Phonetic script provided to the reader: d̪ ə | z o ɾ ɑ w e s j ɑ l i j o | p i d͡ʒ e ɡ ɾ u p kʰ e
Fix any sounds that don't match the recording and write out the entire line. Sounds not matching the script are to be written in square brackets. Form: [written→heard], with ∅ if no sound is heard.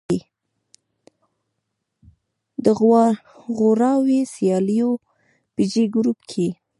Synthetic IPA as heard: d̪ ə | [z→ɣ] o ɾ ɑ w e s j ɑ l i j o | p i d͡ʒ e ɡ ɾ u p kʰ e